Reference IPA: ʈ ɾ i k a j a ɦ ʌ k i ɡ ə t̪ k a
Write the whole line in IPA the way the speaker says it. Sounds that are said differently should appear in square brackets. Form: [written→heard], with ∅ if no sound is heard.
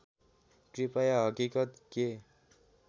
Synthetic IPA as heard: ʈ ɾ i [k→p] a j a ɦ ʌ k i [ɡ→k] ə t̪ k [a→e]